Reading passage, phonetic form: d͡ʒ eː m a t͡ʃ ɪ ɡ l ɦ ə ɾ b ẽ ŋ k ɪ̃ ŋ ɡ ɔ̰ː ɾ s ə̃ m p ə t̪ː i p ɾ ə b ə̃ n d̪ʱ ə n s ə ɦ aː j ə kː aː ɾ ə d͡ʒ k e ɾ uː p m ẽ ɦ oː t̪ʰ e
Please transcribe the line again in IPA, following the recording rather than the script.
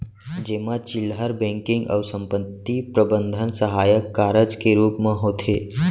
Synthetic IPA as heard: d͡ʒ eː m a t͡ʃ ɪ l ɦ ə ɾ b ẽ ŋ k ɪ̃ ŋ ɡ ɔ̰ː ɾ s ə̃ m p ə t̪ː i p ɾ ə b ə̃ n d̪ʱ ə n s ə ɦ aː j ə kː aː ɾ ə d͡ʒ k e ɾ uː p m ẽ ɦ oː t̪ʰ e